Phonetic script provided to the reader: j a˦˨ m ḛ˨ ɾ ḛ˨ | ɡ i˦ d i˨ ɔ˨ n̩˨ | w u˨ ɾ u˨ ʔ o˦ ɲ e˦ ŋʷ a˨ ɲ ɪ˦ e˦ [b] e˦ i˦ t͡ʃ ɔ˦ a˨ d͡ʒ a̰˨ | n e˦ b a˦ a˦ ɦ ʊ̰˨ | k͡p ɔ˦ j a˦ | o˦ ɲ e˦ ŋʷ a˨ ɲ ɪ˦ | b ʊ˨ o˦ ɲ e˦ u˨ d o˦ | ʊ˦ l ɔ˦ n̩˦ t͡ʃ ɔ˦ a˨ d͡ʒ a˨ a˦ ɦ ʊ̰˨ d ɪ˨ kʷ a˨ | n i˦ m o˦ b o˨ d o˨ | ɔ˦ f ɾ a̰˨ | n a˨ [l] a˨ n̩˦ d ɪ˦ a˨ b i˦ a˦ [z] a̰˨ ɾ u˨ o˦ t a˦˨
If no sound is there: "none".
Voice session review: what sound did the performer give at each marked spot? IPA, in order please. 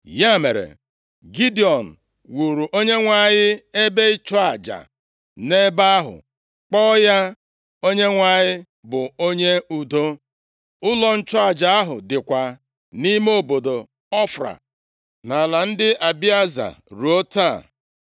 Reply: b, l, z

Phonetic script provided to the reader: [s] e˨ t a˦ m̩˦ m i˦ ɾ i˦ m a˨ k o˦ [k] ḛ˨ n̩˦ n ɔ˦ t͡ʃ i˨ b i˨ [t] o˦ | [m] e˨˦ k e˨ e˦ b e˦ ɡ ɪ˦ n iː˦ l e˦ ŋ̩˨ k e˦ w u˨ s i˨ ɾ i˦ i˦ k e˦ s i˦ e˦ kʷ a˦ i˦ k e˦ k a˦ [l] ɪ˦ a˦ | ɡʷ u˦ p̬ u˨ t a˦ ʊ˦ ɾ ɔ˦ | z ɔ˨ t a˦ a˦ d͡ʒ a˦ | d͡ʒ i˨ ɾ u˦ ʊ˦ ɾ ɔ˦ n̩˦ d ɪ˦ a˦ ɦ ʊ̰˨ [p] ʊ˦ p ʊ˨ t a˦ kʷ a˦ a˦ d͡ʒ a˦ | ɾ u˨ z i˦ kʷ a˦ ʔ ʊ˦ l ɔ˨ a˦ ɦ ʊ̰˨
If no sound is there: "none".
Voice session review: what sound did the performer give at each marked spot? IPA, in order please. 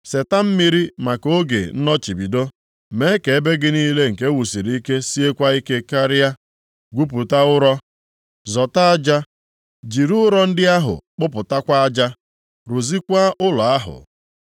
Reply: s, ɡ, d, m, ɾ, k͡p

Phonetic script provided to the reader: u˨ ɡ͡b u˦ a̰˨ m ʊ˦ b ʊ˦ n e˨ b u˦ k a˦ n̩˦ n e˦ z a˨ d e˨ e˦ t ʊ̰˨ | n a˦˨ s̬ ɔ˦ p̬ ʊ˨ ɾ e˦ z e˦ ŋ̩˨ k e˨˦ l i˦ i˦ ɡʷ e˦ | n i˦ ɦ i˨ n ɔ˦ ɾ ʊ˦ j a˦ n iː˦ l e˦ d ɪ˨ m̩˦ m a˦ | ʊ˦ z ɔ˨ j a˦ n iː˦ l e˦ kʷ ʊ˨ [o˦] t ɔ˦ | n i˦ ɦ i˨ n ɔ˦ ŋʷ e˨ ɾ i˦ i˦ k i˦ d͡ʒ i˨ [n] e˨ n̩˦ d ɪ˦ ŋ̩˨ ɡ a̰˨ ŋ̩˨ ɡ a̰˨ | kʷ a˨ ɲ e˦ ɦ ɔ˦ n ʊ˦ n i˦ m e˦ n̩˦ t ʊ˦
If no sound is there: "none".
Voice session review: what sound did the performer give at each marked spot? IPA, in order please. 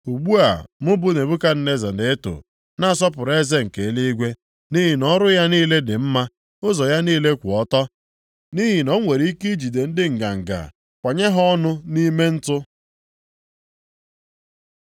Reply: ɔ˦, d

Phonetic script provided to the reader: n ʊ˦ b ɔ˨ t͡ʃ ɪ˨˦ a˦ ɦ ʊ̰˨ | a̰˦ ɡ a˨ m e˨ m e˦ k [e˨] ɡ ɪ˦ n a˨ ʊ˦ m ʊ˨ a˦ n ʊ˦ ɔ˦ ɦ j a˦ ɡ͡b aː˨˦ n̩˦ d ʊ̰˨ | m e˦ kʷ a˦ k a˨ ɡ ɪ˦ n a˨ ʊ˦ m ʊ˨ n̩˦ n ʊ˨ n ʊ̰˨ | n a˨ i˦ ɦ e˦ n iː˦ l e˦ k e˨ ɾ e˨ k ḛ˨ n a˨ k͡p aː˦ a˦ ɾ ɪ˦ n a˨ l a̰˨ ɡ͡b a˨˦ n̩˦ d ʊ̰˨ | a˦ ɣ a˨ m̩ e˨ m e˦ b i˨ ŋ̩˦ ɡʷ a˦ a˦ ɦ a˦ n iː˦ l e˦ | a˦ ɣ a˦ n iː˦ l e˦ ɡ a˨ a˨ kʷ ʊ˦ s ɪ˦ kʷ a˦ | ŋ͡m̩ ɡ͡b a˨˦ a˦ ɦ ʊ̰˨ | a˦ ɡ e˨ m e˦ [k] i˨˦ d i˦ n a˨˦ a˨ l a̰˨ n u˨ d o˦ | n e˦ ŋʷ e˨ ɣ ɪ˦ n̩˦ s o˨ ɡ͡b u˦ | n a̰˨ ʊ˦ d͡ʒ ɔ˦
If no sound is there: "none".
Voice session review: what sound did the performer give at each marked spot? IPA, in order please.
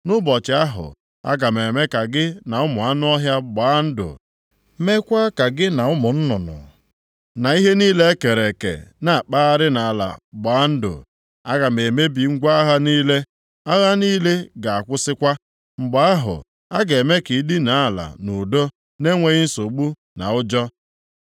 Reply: a˨, k

